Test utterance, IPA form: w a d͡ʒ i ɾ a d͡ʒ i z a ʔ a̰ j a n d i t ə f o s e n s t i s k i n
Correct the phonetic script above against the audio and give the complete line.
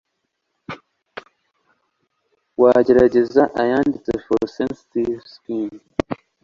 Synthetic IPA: w a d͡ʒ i ɾ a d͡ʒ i z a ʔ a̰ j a n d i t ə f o s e n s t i s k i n